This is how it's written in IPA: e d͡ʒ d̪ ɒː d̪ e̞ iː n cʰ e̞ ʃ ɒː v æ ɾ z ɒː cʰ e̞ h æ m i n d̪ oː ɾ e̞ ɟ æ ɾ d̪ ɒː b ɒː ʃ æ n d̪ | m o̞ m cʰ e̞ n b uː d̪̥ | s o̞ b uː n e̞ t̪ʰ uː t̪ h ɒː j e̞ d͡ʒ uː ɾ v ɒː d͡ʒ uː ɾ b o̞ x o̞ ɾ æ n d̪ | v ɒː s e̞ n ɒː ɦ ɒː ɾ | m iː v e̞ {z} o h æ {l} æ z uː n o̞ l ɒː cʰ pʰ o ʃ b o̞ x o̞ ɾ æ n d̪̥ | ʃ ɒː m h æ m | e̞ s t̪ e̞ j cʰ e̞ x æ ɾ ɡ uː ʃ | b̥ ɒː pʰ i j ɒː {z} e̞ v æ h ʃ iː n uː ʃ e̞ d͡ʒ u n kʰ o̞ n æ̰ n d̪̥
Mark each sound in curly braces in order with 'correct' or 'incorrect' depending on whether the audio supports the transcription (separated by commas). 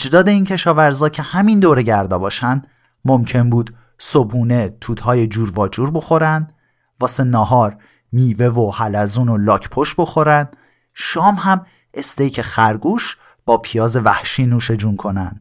incorrect, correct, correct